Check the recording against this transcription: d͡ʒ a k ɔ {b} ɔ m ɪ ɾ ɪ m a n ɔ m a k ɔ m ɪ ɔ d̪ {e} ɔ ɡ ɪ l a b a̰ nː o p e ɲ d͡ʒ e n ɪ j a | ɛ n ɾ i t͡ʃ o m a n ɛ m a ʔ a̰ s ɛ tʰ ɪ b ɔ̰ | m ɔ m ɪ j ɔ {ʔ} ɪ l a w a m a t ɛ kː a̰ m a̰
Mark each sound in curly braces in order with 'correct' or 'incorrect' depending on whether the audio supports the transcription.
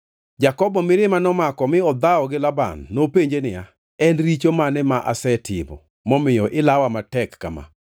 correct, incorrect: a, correct

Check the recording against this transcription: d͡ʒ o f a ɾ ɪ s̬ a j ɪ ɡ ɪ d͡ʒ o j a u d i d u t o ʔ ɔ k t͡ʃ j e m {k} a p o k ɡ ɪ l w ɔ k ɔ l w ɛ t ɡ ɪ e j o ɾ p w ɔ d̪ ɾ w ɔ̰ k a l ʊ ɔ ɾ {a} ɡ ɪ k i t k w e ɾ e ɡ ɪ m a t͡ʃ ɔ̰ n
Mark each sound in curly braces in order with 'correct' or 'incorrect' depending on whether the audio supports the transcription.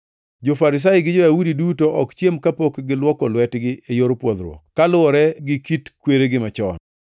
correct, incorrect: ɛ

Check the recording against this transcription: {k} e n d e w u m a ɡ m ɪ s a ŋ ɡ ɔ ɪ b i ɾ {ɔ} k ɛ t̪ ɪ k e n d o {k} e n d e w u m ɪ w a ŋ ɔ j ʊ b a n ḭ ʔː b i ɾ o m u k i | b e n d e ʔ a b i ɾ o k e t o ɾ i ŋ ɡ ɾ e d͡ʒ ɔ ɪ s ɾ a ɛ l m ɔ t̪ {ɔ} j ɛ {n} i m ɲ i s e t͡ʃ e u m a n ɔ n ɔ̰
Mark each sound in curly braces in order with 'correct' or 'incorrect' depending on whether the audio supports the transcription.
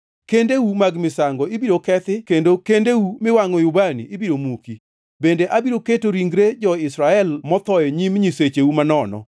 correct, incorrect: o, correct, correct, incorrect: ɲ

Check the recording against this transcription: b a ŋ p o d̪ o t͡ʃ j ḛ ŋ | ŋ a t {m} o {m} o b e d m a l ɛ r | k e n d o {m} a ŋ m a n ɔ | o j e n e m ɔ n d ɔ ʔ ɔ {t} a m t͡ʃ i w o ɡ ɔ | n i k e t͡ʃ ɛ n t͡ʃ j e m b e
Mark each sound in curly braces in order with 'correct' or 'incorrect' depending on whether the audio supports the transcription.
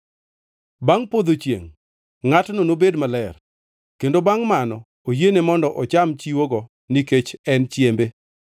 incorrect: n, incorrect: n, incorrect: b, incorrect: t͡ʃ

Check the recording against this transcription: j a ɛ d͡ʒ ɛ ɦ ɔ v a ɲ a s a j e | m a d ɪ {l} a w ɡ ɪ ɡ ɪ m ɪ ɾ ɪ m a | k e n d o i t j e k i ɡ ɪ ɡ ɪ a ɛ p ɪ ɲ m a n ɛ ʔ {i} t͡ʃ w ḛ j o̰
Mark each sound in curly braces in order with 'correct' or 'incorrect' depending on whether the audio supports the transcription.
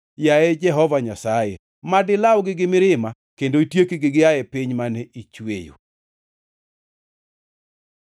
correct, correct

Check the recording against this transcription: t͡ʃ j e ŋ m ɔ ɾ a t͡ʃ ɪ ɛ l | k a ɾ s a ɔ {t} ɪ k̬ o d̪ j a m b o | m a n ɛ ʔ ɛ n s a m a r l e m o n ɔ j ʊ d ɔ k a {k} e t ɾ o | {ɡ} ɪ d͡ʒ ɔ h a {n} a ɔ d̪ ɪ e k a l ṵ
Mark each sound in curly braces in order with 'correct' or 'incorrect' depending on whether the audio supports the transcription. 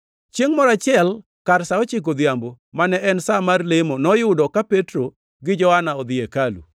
incorrect: t͡ʃ, incorrect: p, correct, correct

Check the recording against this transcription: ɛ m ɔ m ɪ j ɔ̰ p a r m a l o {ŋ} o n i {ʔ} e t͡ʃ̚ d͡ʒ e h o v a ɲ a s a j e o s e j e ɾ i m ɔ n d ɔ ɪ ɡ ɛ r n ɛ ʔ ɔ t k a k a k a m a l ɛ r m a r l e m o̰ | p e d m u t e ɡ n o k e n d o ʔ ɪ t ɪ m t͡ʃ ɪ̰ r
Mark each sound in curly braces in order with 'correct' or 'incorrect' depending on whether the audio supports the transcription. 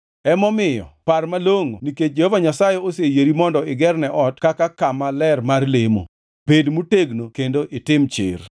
correct, incorrect: k

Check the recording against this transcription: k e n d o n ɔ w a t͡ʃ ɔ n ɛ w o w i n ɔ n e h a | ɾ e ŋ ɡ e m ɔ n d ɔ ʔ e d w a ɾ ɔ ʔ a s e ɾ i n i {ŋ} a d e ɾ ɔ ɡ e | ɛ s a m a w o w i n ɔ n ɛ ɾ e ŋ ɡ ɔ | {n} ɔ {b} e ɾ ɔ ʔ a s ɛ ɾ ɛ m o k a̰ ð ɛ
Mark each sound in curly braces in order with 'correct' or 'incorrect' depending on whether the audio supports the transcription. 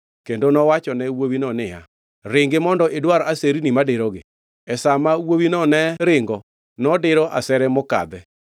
incorrect: m, correct, incorrect: d

